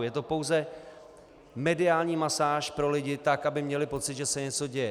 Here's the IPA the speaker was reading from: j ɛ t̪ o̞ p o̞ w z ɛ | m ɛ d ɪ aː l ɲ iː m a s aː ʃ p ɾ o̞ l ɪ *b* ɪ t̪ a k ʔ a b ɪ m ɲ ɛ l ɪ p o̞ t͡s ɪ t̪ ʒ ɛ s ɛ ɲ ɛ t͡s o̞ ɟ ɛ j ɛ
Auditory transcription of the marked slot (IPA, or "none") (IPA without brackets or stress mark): ɟ